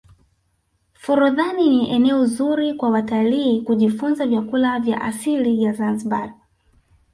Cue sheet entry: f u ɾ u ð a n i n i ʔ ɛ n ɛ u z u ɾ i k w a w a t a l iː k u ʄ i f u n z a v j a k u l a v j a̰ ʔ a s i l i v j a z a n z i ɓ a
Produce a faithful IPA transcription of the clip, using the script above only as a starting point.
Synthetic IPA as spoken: f u ɾ u ð a n i n i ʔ ɛ n ɛ ɔ z u ɾ i k w a w a t a l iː k u ʄ i f u n z a v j a k u l a v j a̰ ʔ a s i l i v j a z a n z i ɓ a